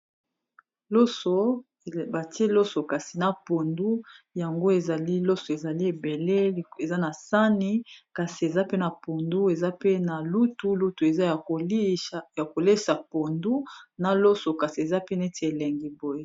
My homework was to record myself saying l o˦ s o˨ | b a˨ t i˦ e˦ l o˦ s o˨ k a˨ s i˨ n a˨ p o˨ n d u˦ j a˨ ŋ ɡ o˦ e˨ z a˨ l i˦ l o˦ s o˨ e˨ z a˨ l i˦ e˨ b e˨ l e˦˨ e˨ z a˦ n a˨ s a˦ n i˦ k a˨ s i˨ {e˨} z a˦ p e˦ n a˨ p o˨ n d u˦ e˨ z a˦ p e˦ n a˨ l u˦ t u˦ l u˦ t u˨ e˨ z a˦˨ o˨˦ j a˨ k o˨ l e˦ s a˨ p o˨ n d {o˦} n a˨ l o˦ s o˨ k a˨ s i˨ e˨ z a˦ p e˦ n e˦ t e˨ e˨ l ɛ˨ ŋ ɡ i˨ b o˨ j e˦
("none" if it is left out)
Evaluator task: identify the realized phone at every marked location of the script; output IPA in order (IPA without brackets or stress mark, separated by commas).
e˨, u˦